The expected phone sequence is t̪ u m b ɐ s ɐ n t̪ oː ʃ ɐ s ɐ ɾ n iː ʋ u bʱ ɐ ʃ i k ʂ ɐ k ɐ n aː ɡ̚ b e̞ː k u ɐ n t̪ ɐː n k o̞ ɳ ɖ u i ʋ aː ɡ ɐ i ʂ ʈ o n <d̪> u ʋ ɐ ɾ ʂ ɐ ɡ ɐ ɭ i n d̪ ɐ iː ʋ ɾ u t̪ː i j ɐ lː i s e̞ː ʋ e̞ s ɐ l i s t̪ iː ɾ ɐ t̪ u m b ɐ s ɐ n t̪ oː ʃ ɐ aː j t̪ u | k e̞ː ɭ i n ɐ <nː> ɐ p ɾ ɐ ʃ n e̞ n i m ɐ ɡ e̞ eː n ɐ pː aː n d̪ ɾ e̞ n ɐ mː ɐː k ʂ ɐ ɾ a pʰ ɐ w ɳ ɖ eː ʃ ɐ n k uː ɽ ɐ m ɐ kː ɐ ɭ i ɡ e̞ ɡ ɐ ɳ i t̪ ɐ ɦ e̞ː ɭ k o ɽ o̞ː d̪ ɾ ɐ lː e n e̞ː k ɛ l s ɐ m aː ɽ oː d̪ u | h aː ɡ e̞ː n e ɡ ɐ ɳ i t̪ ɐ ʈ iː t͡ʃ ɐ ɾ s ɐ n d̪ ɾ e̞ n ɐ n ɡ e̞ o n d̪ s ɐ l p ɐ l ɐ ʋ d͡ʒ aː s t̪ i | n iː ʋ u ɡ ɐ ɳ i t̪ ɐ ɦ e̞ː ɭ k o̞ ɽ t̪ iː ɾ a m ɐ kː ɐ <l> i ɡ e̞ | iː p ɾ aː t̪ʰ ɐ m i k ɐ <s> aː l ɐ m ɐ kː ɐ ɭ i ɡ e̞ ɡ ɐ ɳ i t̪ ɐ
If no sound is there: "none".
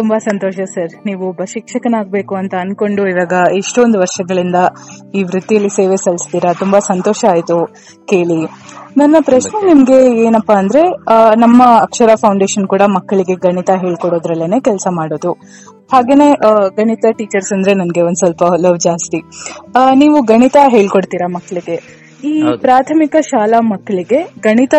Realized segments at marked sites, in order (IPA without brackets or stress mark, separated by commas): d̪, nː, ɭ, ʃ